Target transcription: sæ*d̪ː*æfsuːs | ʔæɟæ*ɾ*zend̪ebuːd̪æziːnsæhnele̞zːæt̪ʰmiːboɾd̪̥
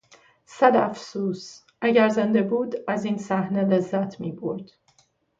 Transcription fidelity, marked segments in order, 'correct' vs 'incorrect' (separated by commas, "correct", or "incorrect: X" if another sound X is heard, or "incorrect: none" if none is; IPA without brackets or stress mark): incorrect: d̪, correct